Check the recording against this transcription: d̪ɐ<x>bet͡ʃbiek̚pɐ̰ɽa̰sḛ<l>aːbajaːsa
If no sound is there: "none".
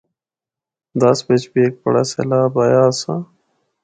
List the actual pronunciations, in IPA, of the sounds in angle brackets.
s, l

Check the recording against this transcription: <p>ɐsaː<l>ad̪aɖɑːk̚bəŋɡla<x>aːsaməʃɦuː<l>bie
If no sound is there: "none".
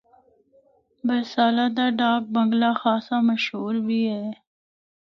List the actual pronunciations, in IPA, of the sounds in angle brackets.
b, l, x, ɾ

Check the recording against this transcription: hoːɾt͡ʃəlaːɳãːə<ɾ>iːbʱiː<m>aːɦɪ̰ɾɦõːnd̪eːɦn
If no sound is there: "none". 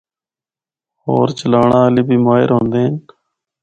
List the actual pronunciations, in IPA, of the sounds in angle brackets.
l, m

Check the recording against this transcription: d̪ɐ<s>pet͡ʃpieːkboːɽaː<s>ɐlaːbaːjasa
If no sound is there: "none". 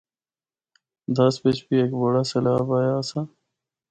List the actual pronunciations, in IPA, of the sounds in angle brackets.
s, s

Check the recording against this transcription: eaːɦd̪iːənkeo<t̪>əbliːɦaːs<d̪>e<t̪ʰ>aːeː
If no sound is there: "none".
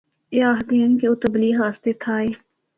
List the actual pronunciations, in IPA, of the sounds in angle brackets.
t̪, t̪, t̪ʰ

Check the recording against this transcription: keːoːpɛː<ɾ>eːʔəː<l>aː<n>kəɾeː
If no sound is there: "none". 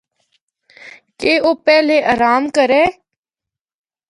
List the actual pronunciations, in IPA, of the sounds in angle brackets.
l, ɾ, m

